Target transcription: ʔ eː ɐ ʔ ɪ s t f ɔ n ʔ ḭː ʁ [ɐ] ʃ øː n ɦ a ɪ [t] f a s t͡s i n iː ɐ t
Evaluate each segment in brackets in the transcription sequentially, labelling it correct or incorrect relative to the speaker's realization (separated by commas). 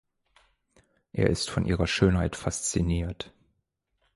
correct, correct